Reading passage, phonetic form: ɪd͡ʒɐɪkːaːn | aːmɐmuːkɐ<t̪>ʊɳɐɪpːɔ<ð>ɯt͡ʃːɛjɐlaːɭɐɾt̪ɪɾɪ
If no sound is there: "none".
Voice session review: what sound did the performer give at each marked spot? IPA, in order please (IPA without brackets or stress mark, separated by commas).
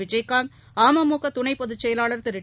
t̪, ð